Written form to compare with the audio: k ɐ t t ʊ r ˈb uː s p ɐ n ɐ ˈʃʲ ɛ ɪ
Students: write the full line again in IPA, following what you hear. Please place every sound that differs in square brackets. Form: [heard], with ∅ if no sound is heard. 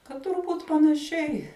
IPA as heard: k ɐ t t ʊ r ˈb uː [t] p ɐ n ɐ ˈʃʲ ɛ ɪ

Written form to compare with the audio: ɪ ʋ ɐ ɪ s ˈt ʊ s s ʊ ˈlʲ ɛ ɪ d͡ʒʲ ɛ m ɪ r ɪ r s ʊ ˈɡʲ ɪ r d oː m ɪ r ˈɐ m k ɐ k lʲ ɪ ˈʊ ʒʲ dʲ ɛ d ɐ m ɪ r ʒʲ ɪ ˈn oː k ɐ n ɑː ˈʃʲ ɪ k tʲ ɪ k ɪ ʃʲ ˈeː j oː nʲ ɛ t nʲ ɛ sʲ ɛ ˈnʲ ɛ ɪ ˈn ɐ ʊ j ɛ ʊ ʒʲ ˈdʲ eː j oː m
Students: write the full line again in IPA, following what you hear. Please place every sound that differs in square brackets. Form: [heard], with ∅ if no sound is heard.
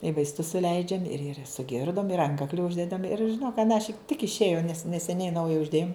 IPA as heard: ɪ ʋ ɐ ɪ s ˈt ʊ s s ʊ ˈlʲ ɛ ɪ d͡ʒʲ ɛ m ɪ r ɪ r s ʊ ˈɡʲ ɪ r d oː m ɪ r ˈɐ [ŋ] k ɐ k lʲ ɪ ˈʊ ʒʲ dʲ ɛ d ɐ m ɪ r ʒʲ ɪ ˈn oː k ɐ n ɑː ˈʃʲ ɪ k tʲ ɪ k ɪ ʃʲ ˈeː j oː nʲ ɛ [s] nʲ ɛ sʲ ɛ ˈnʲ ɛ ɪ ˈn ɐ ʊ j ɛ ʊ ʒʲ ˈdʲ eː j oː m

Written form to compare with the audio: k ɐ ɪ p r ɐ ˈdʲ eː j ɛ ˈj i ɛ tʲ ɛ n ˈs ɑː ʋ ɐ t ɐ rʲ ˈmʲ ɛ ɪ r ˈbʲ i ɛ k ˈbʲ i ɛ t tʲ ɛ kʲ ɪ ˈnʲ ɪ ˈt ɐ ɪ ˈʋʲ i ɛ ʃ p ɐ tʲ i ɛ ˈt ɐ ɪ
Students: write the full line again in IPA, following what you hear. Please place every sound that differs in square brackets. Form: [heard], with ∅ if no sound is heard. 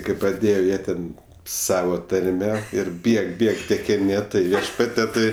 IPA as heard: k ɐ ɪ p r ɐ ˈdʲ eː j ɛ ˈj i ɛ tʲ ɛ n ˈs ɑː ʋ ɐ t ɐ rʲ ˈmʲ ɛ ɪ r ˈbʲ i ɛ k ˈbʲ i ɛ [k] tʲ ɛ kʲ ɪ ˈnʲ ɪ ˈt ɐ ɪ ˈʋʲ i ɛ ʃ p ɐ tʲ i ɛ ˈt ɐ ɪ

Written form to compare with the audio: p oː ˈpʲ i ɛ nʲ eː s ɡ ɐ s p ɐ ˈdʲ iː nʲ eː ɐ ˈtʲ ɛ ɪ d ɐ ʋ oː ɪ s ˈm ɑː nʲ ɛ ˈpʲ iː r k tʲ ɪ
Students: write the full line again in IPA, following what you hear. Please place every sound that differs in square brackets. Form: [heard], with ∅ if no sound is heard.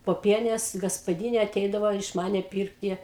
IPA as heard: p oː ˈpʲ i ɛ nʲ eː s ɡ ɐ s p ɐ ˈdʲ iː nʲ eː ɐ ˈtʲ ɛ ɪ d ɐ ʋ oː ɪ [ʃ] ˈm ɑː nʲ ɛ ˈpʲ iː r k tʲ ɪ

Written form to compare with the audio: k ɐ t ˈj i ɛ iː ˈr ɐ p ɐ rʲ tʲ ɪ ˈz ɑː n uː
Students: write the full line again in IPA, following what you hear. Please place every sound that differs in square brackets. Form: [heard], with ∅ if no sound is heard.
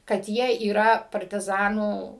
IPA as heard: k ɐ t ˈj i ɛ iː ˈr ɐ p ɐ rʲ tʲ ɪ ˈz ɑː n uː

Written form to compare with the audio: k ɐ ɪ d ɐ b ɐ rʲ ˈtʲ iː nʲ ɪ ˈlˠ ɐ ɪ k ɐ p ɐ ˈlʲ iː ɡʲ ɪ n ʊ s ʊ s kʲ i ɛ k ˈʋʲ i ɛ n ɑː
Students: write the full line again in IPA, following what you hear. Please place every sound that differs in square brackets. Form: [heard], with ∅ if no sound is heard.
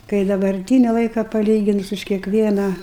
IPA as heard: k ɐ ɪ d ɐ b ɐ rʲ ˈtʲ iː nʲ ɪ ˈlˠ ɐ ɪ k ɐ p ɐ ˈlʲ iː ɡʲ ɪ n ʊ s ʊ [ʃ] kʲ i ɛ k ˈʋʲ i ɛ n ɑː

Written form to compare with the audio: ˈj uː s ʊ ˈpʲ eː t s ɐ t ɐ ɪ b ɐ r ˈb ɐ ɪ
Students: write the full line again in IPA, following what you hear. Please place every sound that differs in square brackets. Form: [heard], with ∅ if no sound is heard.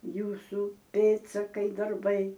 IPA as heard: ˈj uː s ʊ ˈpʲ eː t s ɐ [k] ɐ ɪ [d] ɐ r ˈb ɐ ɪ

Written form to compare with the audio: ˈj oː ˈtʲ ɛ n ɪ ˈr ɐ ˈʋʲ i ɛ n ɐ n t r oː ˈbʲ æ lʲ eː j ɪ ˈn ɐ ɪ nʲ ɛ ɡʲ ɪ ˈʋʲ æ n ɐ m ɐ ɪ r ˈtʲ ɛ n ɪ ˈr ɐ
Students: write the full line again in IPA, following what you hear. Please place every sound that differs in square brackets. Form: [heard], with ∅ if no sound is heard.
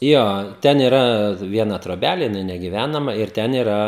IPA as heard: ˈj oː ˈtʲ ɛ n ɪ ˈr ɐ ˈʋʲ i ɛ n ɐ [∅] t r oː ˈbʲ æ lʲ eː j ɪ ˈn ɐ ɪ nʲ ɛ ɡʲ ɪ ˈʋʲ æ n ɐ m ɐ ɪ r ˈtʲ ɛ n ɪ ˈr ɐ

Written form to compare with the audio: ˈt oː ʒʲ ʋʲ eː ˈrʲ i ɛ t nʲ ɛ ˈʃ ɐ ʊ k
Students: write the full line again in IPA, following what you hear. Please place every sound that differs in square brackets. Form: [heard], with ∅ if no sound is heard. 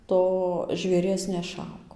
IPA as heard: ˈt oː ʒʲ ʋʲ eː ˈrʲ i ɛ [s] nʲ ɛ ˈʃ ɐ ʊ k

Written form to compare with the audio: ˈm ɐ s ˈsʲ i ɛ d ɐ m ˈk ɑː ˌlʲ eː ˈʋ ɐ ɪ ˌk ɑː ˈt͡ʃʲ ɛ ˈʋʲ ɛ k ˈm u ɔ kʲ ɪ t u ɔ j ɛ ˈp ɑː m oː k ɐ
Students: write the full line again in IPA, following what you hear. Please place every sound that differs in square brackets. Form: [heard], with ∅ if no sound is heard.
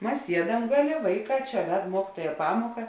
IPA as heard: ˈm ɐ s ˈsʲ i ɛ d ɐ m [ˈɡ] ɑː ˌlʲ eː ˈʋ ɐ ɪ ˌk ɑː ˈt͡ʃʲ ɛ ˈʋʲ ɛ [t] ˈm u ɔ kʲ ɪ t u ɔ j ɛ ˈp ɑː m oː k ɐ

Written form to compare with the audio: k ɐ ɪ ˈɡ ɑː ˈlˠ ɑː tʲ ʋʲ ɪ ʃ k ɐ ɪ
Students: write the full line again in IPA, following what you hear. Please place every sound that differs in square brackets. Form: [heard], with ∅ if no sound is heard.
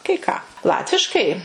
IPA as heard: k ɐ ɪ [ˈk] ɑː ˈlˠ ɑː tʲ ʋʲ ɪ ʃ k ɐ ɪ

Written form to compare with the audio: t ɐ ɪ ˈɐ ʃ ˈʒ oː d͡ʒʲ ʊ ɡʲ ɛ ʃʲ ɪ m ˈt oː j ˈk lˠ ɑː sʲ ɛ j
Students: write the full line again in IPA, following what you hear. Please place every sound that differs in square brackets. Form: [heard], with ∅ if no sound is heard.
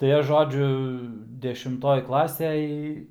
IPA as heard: t ɐ ɪ ˈɐ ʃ ˈʒ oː d͡ʒʲ ʊ [dʲ] ɛ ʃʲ ɪ m ˈt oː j ˈk lˠ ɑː sʲ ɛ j

